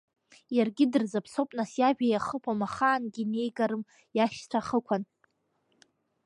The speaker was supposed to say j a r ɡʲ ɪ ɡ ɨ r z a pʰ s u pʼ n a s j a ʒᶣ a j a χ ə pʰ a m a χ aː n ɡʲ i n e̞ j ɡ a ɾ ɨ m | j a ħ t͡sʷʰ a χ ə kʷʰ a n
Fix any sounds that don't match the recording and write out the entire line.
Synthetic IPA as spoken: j a r ɡʲ ɪ d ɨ r z a pʰ s o pʼ n a s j a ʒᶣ a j a χ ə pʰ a m a χ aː n ɡʲ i n e̞ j ɡ a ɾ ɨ m | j a ʃ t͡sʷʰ a χ ə kʷʰ a n